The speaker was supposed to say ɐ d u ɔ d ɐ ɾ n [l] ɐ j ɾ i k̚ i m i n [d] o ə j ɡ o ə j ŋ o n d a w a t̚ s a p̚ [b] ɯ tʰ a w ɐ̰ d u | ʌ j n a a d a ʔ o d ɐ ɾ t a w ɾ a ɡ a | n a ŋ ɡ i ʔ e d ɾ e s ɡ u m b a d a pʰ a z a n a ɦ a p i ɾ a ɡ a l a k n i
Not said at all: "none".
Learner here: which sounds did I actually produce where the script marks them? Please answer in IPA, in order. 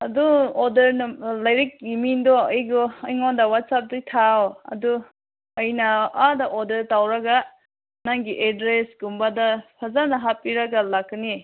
l, d, d

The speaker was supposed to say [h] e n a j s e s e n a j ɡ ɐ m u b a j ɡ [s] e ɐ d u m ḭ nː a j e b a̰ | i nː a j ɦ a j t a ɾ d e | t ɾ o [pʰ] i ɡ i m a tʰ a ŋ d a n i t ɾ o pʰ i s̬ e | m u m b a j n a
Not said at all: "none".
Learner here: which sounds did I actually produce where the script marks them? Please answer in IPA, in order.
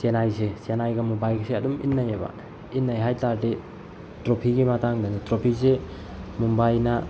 s, s, pʰ

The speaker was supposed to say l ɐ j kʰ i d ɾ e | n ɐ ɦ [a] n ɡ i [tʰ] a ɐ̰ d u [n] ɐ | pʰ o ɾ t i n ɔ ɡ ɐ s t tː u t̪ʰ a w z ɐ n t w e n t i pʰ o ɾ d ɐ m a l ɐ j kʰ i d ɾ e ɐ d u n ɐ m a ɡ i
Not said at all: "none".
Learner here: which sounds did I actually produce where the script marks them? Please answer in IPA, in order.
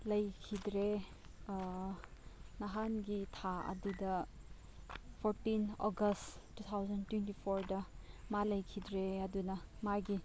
a, tʰ, d

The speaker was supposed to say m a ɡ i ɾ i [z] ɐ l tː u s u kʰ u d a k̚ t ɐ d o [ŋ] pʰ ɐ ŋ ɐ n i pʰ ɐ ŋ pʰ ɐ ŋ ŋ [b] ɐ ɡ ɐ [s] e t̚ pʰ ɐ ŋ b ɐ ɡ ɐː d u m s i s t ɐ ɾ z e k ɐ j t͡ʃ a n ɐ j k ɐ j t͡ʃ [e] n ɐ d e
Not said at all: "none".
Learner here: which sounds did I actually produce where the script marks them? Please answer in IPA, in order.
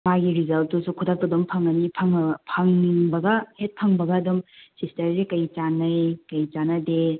z, m, b, h, a

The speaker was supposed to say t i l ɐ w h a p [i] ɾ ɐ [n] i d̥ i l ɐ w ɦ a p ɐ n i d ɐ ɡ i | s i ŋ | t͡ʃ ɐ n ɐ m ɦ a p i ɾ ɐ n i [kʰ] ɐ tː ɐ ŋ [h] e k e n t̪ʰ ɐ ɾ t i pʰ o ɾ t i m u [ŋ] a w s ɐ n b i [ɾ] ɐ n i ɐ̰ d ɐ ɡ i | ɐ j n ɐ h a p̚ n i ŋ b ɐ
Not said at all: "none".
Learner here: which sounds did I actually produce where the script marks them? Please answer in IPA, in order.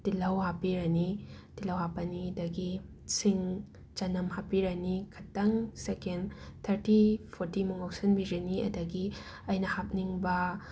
i, n, kʰ, s, ŋ, ɾ

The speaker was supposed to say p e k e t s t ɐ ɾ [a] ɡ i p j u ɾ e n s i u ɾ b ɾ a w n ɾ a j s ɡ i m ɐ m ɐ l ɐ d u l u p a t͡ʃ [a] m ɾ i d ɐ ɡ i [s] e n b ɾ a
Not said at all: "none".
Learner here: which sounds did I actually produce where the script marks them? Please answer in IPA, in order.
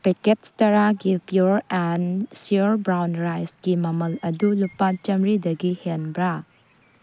a, ɐ, h

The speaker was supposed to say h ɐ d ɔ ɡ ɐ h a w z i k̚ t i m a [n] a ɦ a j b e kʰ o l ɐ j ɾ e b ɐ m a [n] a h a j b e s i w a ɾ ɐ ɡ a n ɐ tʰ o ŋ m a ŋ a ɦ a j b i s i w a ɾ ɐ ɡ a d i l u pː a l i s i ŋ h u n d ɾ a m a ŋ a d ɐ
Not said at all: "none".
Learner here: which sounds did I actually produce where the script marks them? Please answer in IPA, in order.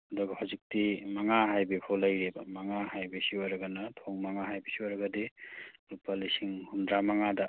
ŋ, ŋ

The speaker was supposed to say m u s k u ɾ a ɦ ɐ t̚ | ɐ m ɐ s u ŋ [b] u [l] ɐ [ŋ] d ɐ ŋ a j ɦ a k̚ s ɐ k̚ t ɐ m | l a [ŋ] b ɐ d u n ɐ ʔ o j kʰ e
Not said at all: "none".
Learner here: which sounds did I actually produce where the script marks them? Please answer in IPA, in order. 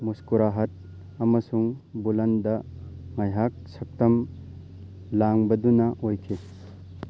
b, l, n, ŋ

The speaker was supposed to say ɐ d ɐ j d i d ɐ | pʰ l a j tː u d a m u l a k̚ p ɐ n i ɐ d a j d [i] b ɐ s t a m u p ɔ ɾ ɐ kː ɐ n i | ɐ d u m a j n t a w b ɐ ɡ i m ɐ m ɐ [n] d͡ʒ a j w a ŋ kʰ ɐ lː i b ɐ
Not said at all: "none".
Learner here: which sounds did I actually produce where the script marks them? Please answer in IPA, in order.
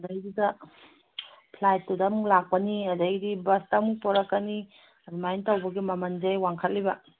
i, n

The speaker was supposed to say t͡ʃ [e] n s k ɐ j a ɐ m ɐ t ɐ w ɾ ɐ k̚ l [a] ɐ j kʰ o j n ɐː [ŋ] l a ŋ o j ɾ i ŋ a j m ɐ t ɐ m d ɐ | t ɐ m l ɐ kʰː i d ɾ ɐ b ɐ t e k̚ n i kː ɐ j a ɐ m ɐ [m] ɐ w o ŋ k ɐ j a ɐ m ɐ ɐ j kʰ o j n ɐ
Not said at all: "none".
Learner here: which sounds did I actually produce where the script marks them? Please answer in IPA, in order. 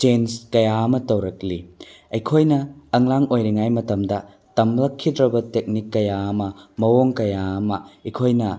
e, i, ŋ, m

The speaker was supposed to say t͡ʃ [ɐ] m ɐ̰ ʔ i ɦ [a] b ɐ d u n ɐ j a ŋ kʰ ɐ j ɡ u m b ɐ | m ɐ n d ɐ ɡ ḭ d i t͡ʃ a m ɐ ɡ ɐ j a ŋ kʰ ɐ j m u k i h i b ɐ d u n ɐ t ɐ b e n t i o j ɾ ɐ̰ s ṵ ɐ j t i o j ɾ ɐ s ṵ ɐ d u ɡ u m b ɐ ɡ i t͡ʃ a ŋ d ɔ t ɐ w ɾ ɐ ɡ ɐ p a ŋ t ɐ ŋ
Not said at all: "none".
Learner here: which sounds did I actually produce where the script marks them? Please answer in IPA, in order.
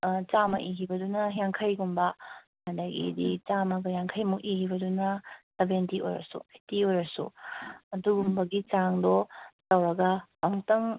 a, i

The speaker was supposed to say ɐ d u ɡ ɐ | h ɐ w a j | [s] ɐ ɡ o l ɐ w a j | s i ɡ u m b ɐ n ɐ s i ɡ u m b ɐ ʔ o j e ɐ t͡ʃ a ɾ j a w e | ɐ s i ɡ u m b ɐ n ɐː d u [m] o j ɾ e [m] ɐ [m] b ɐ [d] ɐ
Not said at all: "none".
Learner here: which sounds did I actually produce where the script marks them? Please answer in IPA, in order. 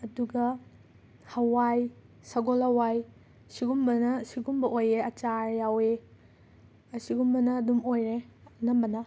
s, m, n, m, n

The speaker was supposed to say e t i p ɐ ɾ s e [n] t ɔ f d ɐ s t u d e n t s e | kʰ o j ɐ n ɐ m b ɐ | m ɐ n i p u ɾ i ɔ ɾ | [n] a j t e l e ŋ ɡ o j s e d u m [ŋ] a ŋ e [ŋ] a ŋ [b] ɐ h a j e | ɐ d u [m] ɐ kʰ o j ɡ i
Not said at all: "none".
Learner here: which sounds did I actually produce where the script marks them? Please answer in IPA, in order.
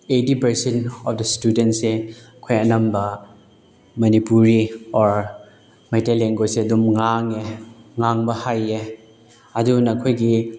n, m, ŋ, ŋ, b, n

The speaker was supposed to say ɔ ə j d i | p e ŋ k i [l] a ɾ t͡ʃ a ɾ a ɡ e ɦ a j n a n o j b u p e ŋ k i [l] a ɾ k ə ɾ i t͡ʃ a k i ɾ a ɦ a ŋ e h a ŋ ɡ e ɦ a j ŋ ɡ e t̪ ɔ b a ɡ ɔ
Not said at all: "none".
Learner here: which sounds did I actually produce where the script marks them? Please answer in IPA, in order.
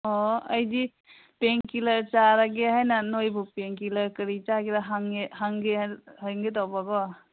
l, l

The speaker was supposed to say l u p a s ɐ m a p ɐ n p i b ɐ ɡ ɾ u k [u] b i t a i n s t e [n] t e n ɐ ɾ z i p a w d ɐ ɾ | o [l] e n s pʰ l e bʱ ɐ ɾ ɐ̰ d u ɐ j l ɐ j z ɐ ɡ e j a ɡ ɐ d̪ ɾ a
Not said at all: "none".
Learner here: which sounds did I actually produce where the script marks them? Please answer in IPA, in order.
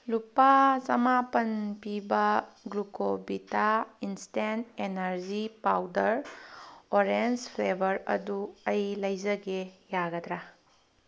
o, n, ɾ

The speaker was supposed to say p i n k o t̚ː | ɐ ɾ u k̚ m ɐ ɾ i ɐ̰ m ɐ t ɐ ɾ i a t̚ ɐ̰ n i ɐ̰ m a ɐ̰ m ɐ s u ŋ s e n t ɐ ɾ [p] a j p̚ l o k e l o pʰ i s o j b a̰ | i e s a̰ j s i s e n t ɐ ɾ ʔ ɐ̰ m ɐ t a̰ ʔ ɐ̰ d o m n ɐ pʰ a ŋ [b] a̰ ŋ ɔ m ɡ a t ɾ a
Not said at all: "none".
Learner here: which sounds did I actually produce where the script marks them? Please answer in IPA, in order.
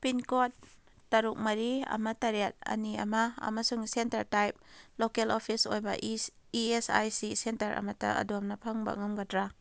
t, b

